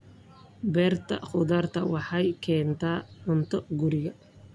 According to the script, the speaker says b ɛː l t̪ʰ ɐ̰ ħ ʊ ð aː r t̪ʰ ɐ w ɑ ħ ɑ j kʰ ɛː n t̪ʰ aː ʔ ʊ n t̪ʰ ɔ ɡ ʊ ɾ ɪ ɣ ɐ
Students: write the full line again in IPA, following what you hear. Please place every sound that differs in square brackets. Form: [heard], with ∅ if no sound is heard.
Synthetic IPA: b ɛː [r] t̪ʰ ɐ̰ [χ] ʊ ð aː r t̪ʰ ɐ w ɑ ħ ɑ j kʰ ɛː n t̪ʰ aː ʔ ʊ n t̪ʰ ɔ ɡ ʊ ɾ ɪ ɣ ɐ